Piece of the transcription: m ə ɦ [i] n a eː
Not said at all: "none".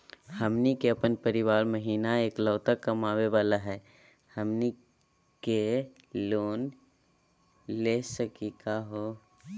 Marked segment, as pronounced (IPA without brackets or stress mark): iː